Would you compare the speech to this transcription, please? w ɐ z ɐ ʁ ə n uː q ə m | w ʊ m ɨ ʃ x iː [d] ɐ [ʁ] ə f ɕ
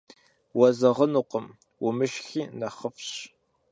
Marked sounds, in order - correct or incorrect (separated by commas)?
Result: incorrect, incorrect